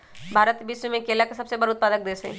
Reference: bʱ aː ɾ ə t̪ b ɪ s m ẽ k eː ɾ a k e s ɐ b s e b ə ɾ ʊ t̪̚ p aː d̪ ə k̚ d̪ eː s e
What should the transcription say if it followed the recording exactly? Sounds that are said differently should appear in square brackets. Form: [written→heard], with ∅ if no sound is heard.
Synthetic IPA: bʱ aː ɾ ə t̪ b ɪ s m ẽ k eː [ɾ→l] a k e s ɐ b s e b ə ɾ ʊ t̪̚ p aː d̪ ə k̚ d̪ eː s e

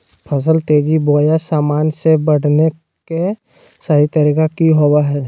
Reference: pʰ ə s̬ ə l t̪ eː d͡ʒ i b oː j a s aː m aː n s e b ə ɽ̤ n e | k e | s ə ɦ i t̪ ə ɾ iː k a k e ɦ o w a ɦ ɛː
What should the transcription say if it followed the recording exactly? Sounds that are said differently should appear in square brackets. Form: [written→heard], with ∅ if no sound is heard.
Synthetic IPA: pʰ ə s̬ ə l t̪ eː d͡ʒ i b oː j a s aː m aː n s e b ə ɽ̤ n e | k e | s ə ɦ i t̪ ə ɾ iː k a k [e→i] ɦ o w a ɦ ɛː

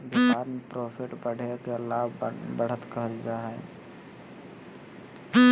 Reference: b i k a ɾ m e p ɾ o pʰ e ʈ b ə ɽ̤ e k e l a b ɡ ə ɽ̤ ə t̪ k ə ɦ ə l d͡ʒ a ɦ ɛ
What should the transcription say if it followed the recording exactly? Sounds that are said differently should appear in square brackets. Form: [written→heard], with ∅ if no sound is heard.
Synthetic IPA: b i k a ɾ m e p ɾ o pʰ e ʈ b ə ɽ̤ e k e l a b [ɡ→b] ə ɽ̤ ə t̪ k ə ɦ ə l d͡ʒ a ɦ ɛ

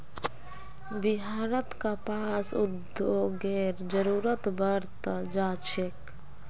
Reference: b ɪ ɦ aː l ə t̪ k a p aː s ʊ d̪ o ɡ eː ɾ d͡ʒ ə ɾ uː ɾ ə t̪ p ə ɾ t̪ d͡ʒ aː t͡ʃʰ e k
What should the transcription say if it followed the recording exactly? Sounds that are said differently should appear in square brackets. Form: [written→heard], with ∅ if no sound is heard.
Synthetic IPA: b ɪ ɦ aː [l→ɾ] ə t̪ k a p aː s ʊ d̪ o ɡ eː ɾ d͡ʒ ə ɾ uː ɾ ə t̪ [p→b] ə ɾ t̪ d͡ʒ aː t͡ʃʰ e k

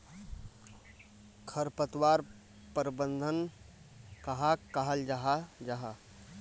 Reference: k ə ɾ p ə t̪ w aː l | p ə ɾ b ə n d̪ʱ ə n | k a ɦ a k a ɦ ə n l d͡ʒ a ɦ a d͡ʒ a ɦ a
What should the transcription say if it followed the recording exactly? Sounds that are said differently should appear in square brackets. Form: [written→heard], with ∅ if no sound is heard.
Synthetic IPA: [k→kʰ] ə ɾ p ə t̪ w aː [l→ɾ] | p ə ɾ b ə n d̪ʱ ə n | k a ɦ a k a ɦ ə [n→∅] l d͡ʒ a ɦ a d͡ʒ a ɦ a

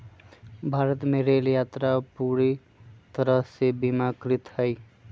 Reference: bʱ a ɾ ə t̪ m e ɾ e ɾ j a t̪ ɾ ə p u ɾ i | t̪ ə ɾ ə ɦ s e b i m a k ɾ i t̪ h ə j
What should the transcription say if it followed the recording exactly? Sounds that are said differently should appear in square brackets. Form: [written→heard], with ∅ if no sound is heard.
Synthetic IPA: bʱ a ɾ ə t̪ m e ɾ e [ɾ→l] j a t̪ ɾ [ə→a] p u ɾ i | t̪ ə ɾ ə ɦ s e b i m a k ɾ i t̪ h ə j

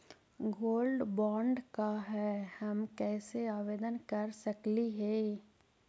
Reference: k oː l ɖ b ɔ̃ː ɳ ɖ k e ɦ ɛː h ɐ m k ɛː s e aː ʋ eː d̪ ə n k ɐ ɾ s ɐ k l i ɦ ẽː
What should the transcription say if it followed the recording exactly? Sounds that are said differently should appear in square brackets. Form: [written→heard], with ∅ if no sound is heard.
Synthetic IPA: [k→ɡ] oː l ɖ b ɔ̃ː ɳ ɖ k [e→a] ɦ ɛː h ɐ m k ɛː s e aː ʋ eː d̪ ə n k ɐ ɾ s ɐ k l i ɦ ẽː

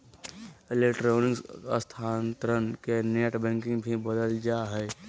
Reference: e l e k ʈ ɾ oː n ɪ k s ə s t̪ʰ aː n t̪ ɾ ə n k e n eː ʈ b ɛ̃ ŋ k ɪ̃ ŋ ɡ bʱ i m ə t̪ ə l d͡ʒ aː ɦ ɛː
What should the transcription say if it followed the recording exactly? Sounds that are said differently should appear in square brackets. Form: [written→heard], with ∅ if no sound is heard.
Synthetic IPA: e l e k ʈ ɾ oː n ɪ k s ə s t̪ʰ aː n t̪ ɾ ə n k e n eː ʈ b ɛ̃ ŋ k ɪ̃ ŋ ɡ bʱ i [m→b] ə [t̪→d̪] ə l d͡ʒ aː ɦ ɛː

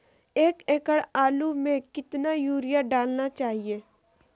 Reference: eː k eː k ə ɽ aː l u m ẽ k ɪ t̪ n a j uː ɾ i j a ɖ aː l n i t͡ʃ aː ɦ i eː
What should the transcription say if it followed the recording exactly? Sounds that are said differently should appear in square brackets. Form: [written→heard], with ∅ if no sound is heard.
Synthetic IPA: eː k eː k ə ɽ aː l u m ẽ k ɪ t̪ n a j uː ɾ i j a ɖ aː l n [i→a] t͡ʃ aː ɦ i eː

